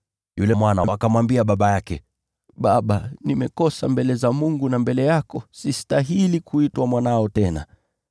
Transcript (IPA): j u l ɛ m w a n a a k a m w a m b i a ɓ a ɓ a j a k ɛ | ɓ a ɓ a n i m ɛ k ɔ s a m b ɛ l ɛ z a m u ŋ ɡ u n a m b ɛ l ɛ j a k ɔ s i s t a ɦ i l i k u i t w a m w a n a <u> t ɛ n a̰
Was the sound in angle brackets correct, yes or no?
no